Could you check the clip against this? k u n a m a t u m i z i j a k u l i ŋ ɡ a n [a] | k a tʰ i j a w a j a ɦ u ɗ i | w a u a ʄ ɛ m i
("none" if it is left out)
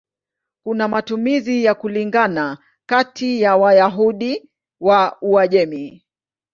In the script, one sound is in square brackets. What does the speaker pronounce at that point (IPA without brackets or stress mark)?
a